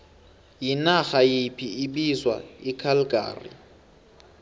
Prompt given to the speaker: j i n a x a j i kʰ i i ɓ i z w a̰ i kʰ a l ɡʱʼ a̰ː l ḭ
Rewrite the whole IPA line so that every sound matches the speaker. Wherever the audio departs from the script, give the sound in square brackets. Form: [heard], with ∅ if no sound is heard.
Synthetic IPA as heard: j i n a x a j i [pʰ] i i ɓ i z w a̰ i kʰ a l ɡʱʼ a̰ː [r] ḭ